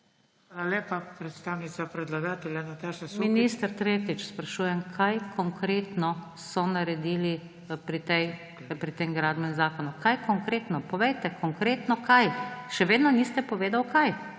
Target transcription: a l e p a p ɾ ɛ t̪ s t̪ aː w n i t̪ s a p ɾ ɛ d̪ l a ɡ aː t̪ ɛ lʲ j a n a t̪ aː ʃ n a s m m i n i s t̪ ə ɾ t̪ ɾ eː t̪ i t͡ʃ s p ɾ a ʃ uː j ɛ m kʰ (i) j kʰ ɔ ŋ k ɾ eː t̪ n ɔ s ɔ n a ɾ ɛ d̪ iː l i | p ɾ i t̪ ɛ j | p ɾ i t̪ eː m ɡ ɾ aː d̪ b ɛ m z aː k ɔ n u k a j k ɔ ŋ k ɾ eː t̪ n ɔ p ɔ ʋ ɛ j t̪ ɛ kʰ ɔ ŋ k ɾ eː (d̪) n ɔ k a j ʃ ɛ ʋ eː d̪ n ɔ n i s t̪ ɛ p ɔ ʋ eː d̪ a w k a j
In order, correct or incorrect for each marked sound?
incorrect: a, incorrect: t̪

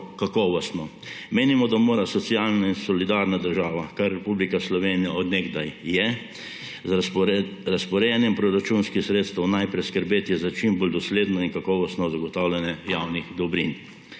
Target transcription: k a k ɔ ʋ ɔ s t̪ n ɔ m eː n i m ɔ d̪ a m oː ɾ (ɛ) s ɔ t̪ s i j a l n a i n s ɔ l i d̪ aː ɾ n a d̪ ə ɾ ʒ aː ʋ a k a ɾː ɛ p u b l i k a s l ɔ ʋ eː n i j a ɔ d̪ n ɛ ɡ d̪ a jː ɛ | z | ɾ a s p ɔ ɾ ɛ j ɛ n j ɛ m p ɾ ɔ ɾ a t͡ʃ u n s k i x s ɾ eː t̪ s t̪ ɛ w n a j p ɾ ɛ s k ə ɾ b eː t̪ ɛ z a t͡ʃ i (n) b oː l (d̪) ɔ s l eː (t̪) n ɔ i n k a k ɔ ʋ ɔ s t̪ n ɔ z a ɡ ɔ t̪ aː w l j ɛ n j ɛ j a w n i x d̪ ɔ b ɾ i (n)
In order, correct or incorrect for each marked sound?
incorrect: a, incorrect: m, correct, incorrect: d̪, correct

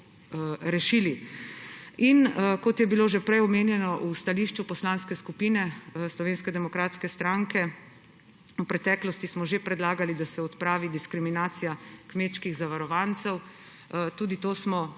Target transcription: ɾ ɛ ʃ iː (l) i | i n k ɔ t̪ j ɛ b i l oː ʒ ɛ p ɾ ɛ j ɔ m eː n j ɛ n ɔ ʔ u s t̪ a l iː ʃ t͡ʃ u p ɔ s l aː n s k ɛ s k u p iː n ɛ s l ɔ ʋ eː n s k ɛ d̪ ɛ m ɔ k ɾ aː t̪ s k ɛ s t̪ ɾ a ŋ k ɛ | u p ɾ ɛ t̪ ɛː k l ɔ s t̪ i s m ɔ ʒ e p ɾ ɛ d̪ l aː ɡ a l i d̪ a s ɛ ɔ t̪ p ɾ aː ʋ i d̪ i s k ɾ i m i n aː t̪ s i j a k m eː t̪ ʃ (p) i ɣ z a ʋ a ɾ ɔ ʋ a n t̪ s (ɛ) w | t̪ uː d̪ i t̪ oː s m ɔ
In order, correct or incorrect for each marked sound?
correct, incorrect: k, correct

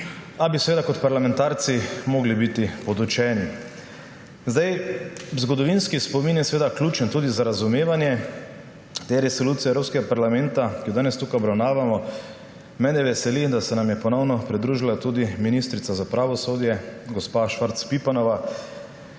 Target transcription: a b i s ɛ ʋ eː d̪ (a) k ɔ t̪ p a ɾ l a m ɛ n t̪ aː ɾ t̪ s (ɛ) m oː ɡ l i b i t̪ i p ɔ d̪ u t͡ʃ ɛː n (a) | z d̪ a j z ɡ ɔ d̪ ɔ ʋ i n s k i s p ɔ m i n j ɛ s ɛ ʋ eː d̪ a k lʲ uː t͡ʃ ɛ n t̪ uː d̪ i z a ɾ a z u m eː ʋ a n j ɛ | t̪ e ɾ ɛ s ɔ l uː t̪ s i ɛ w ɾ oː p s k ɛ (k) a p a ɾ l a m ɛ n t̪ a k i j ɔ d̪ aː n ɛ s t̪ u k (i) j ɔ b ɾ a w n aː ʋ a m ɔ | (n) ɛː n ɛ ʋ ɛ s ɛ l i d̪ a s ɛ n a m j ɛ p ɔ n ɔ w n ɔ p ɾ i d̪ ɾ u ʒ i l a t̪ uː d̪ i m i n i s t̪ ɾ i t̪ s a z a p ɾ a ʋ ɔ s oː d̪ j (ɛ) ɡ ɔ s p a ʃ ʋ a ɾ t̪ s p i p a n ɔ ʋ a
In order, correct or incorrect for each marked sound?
correct, incorrect: i, incorrect: i, incorrect: ɡ, incorrect: a, incorrect: m, correct

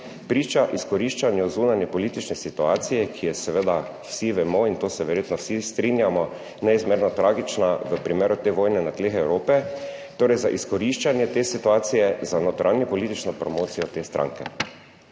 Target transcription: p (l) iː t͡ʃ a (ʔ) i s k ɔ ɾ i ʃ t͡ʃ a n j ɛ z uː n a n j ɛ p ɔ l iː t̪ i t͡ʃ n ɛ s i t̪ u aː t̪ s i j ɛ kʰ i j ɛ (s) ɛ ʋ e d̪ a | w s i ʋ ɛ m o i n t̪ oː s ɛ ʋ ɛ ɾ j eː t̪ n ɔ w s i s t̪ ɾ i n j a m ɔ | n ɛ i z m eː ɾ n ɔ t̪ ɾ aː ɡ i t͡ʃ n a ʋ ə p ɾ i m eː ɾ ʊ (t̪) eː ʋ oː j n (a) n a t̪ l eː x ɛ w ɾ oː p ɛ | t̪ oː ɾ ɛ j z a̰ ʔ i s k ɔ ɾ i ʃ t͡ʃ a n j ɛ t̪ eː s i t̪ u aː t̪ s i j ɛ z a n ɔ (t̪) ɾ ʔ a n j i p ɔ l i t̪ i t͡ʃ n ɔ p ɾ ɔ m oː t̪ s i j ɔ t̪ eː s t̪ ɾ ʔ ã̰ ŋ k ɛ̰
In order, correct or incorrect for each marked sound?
incorrect: ɾ, correct, correct, correct, incorrect: ɛ, correct

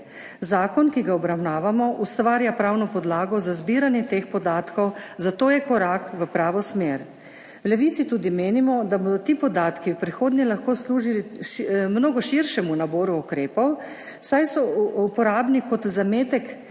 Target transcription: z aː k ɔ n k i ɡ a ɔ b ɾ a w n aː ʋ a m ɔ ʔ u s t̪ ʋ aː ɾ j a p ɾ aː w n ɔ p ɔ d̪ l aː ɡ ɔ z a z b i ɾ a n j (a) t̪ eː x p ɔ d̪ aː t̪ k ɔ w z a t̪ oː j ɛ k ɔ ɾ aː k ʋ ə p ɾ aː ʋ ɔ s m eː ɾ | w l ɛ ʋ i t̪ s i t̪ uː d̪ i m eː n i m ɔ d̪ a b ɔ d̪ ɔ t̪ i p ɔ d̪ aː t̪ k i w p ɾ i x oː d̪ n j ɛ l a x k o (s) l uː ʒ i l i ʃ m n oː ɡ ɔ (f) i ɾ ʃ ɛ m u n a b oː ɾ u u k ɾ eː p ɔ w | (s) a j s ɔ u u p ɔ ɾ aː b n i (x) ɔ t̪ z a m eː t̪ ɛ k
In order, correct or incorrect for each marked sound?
incorrect: ɛ, correct, incorrect: ʃ, correct, incorrect: k

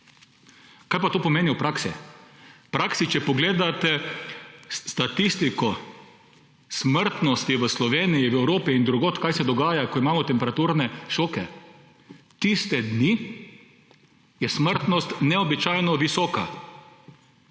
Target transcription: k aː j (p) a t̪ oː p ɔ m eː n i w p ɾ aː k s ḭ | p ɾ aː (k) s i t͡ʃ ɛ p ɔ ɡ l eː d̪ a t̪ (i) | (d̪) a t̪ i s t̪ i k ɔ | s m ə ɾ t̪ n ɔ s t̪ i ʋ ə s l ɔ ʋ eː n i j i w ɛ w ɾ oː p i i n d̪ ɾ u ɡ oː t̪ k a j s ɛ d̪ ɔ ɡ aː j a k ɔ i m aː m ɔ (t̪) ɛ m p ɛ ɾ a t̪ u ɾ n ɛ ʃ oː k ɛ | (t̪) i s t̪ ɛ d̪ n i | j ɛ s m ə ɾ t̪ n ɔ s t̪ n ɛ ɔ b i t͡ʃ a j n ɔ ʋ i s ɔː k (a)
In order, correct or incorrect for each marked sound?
correct, correct, incorrect: ɛ, incorrect: t̪, correct, correct, correct

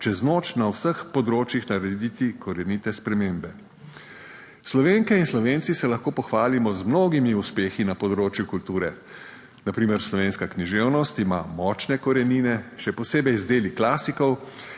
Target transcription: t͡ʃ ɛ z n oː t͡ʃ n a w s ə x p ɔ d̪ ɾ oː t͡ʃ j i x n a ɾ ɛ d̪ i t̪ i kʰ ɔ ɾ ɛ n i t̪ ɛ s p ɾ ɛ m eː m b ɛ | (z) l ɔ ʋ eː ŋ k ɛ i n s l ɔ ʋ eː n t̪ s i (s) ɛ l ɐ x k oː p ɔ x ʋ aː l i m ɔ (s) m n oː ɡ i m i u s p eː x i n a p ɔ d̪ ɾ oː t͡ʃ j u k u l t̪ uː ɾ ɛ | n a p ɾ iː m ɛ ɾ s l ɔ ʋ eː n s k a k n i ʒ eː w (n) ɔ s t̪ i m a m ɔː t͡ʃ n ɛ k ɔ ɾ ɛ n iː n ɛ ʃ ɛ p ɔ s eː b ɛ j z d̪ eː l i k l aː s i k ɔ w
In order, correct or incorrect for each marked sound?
incorrect: s, correct, incorrect: z, correct

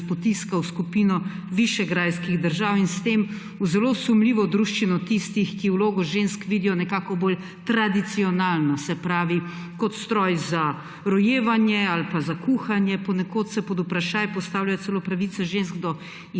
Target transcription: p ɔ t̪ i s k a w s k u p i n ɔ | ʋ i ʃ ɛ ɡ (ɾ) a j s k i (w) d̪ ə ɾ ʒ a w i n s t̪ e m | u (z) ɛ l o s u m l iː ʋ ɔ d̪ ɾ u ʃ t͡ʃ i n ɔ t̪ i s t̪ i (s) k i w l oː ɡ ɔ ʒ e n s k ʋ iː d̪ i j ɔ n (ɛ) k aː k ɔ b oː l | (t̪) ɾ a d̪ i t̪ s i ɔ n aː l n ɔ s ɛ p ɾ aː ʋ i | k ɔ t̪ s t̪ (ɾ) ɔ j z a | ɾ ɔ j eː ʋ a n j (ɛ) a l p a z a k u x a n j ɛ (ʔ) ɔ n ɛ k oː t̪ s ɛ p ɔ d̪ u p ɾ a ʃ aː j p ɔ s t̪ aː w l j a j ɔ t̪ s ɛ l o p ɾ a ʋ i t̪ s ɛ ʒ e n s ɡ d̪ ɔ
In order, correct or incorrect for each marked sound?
correct, incorrect: ɣ, correct, incorrect: x, correct, correct, correct, correct, incorrect: p

